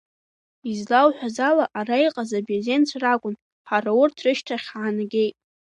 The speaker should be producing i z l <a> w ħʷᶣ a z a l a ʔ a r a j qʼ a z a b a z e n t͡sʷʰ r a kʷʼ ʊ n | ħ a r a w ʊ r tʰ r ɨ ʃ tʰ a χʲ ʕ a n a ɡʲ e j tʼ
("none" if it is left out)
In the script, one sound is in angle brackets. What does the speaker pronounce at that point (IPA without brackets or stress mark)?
a